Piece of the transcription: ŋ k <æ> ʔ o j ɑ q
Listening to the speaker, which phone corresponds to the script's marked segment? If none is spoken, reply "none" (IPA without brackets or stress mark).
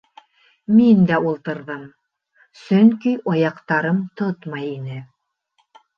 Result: i